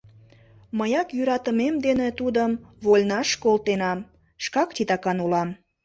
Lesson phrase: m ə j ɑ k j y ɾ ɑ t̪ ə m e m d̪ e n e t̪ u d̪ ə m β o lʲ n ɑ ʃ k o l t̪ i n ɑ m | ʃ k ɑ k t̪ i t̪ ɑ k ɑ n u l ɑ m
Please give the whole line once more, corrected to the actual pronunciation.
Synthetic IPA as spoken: m ə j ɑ k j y ɾ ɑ t̪ ə m e m d̪ e n e t̪ u d̪ ə m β o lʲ n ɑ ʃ k o l t̪ e n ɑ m | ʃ k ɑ k t̪ i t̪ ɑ k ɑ n u l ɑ m